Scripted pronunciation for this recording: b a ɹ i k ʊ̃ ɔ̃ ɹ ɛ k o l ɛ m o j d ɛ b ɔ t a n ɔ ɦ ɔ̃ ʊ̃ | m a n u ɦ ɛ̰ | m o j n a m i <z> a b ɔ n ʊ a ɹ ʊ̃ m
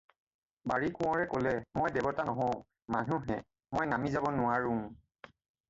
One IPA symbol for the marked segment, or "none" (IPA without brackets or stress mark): z